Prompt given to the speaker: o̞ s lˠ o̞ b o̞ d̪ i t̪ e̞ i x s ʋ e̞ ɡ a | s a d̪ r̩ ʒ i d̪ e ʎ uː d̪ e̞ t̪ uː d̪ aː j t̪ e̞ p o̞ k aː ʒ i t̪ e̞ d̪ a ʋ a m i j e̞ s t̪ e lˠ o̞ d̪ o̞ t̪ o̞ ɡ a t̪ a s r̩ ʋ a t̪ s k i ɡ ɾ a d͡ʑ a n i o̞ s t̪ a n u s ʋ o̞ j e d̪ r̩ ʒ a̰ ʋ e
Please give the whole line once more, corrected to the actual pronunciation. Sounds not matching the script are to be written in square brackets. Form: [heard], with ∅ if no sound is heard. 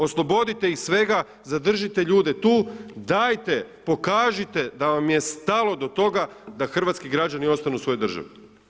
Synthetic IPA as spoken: o̞ s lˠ o̞ b o̞ d̪ i t̪ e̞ i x s ʋ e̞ ɡ a | [z] a d̪ r̩ ʒ i [t̪] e ʎ uː d̪ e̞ t̪ uː d̪ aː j t̪ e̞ p o̞ k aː ʒ i t̪ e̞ d̪ a ʋ a m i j e̞ s t̪ [a] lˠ o̞ d̪ o̞ t̪ o̞ ɡ a [d̪] a [x] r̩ ʋ a t̪ s k i ɡ ɾ a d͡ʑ a n i o̞ s t̪ a n u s ʋ o̞ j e d̪ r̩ ʒ a̰ ʋ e